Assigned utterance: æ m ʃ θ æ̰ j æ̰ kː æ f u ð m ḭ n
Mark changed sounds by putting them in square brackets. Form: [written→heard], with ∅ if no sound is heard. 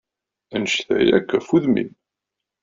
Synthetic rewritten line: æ [m→n] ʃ θ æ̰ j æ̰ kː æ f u ð m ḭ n